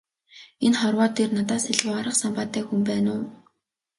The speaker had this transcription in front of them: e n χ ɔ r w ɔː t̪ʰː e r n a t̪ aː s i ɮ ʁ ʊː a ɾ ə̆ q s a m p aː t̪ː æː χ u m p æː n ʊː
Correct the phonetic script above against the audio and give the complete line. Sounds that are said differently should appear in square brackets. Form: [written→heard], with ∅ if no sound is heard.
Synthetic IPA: e n χ ɔ r w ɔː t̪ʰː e r n a t̪ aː s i ɮ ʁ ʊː a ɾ ə̆ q s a m p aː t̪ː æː [χ→x] u m p æː n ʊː

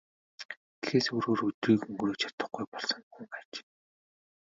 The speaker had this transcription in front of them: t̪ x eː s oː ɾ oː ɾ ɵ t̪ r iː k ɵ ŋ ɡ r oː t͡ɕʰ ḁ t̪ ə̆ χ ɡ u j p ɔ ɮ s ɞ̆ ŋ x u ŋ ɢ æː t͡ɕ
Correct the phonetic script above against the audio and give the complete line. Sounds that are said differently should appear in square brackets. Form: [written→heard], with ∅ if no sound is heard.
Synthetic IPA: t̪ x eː s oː ɾ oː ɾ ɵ t̪ r iː k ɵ ŋ ɡ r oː t͡ɕʰ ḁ t̪ ə̆ χ ɡ u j p ɔ ɮ s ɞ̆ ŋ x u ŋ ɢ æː t͡ɕ

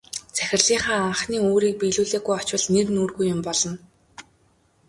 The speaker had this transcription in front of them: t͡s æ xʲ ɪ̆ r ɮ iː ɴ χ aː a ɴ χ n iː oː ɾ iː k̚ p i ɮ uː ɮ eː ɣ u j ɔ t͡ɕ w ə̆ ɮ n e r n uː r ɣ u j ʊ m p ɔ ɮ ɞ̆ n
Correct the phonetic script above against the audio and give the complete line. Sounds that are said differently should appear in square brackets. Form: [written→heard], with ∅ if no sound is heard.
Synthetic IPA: t͡s æ xʲ ɪ̆ r ɮ iː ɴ χ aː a ɴ χ n iː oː ɾ iː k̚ p i ɮ uː ɮ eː ɣ u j ɔ t͡ɕ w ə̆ ɮ n e r n uː r ɣ u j ʊ m p ɔ ɮ ɞ̆ n

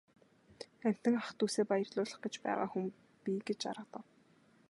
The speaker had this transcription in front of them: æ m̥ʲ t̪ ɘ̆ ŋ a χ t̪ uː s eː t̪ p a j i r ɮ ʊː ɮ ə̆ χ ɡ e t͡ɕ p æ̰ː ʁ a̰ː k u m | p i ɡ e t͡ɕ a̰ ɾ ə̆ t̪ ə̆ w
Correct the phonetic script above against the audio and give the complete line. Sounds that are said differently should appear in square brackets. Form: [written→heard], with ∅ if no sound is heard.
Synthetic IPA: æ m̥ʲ t̪ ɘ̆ ŋ a χ t̪ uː s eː [t̪→∅] p a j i r ɮ ʊː ɮ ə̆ χ ɡ e t͡ɕ p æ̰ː ʁ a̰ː [k→x] u m | p i ɡ e t͡ɕ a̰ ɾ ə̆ t̪ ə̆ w

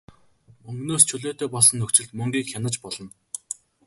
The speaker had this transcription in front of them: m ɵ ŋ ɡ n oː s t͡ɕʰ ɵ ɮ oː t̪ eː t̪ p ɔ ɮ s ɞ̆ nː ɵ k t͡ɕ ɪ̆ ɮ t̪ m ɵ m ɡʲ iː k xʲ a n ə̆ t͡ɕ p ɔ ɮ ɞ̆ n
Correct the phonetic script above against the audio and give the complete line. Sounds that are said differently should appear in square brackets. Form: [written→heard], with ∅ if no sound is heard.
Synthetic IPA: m ɵ ŋ ɡ n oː s t͡ɕʰ ɵ ɮ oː t̪ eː [t̪→∅] p ɔ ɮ s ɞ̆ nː ɵ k t͡ɕ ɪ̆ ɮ t̪ m ɵ [m→ŋ] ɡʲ iː k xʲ a n ə̆ t͡ɕ p ɔ ɮ ɞ̆ n

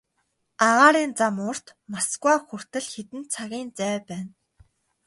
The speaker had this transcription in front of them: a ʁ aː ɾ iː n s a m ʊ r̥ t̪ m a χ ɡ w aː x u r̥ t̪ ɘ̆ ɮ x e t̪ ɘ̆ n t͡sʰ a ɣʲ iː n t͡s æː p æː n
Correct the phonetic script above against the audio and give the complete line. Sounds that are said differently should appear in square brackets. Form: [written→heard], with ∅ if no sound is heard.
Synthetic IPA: a ʁ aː ɾ iː n [s→t͡s] a m ʊ r̥ t̪ m a [χ→s] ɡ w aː x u r̥ t̪ ɘ̆ ɮ x e t̪ ɘ̆ n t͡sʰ a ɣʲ iː n t͡s æː p æː n

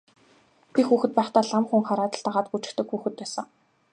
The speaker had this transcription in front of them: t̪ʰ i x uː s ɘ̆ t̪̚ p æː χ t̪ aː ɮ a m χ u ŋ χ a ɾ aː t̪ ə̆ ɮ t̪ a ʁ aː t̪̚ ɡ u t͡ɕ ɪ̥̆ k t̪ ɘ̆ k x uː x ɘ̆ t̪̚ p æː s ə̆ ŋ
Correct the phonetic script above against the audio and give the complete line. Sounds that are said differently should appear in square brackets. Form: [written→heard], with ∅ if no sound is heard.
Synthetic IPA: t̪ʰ i x uː [s→x] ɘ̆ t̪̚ p æː χ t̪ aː ɮ a m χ u ŋ χ a ɾ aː t̪ ə̆ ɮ t̪ a ʁ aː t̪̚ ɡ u t͡ɕ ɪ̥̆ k t̪ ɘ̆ k x uː x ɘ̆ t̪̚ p æː s ə̆ ŋ

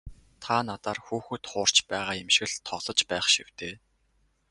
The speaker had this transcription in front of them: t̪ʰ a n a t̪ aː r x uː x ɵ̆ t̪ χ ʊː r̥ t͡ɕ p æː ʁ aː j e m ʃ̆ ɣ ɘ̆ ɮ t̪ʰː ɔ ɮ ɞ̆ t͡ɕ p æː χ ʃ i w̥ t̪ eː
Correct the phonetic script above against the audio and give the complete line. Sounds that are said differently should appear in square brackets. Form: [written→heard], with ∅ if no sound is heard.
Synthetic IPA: t̪ʰ a n a t̪ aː r x uː x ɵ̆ t̪ χ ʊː r̥ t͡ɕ p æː ʁ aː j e m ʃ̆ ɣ ɘ̆ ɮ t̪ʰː ɔ ɮ ɞ̆ t͡ɕ p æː χ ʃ i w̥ t̪ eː

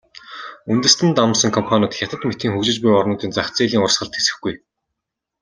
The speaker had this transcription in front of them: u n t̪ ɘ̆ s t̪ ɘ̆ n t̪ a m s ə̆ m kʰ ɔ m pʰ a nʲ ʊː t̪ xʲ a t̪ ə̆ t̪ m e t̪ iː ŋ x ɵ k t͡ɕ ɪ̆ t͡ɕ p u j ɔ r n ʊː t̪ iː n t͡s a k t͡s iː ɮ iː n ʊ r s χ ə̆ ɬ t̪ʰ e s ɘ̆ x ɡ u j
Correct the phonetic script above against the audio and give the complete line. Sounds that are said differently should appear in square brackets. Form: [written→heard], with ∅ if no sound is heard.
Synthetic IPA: u n t̪ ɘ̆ s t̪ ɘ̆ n t̪ a m s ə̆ [m→ŋ] kʰ ɔ m pʰ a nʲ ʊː t̪ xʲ a t̪ ə̆ t̪ m e t̪ iː ŋ x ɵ k t͡ɕ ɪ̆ t͡ɕ p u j ɔ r n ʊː t̪ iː n t͡s a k t͡s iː ɮ iː [n→ŋ] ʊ r s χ ə̆ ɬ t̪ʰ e s ɘ̆ x ɡ u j

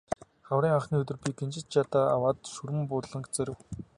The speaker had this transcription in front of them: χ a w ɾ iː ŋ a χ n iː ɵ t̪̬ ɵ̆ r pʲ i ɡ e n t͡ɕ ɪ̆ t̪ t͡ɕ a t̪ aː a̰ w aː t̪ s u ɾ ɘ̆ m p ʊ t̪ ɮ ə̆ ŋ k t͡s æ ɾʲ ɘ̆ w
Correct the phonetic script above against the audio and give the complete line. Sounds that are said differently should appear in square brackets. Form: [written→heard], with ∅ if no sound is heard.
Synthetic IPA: χ a w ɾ iː ŋ a χ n iː ɵ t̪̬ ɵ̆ r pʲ i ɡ e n t͡ɕ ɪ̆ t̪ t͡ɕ a t̪ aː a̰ w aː t̪ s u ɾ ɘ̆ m p ʊ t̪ ɮ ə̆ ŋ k t͡s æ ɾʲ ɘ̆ w

